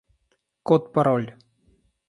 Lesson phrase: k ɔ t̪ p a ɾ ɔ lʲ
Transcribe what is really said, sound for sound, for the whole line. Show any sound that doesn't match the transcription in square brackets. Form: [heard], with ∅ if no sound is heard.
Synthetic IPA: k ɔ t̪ p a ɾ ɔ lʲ